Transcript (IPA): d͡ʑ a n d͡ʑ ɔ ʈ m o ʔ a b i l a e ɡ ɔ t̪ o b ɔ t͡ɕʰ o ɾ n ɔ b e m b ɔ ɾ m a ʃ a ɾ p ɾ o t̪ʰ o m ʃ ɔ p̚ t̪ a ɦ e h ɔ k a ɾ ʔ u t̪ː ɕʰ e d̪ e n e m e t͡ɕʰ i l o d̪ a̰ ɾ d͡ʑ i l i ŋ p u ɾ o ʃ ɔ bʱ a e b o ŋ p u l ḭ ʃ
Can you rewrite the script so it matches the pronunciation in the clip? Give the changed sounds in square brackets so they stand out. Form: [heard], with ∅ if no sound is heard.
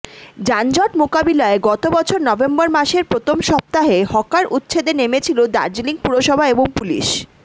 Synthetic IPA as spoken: d͡ʑ a n d͡ʑ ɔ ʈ m o [k] a b i l a e ɡ ɔ t̪ o b ɔ t͡ɕʰ o ɾ n ɔ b e m b ɔ ɾ m a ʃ [e] ɾ p ɾ o t̪ʰ o m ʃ ɔ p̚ t̪ a ɦ e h ɔ k a ɾ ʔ u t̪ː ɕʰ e d̪ e n e m e t͡ɕʰ i l o d̪ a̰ ɾ d͡ʑ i l i ŋ p u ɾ o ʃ ɔ bʱ a e b o ŋ p u l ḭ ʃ